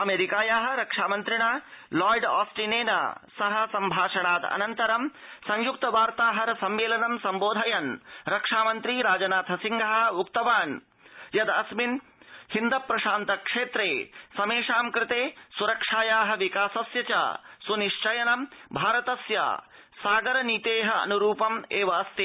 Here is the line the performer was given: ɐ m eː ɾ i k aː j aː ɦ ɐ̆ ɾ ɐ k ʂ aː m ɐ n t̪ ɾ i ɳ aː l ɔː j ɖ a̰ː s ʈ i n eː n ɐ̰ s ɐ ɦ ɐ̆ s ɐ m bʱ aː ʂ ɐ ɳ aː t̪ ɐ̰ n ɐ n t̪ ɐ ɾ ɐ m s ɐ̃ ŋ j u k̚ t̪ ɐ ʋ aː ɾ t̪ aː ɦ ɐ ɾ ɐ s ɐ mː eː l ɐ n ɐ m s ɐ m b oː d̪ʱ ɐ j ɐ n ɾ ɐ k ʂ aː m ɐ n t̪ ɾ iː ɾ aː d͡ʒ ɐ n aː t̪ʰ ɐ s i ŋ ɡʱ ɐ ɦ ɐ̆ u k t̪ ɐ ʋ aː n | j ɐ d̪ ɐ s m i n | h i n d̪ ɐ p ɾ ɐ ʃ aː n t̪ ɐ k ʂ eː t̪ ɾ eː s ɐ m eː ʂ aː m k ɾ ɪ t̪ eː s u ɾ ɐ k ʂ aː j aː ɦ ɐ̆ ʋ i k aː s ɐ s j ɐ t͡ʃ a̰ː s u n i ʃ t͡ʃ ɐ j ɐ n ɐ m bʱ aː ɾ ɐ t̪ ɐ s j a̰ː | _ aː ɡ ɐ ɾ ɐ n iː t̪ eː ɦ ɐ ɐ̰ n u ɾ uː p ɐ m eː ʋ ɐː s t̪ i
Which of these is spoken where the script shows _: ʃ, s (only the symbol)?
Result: s